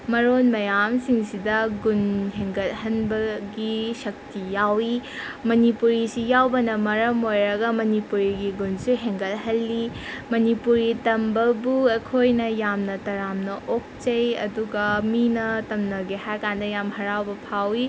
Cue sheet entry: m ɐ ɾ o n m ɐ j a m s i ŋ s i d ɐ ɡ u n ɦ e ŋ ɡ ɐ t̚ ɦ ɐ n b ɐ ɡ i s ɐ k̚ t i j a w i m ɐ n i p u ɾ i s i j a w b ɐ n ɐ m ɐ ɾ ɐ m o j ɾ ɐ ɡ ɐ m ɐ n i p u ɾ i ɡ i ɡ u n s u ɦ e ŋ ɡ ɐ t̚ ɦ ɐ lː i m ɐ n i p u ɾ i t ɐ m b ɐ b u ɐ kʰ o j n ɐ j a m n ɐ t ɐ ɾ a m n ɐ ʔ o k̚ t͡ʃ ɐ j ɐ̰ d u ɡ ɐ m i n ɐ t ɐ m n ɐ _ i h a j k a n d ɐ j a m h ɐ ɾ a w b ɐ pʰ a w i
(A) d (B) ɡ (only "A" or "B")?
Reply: B